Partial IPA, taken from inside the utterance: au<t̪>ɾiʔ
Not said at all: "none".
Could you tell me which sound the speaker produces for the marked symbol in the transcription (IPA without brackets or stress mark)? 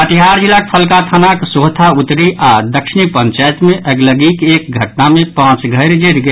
t̪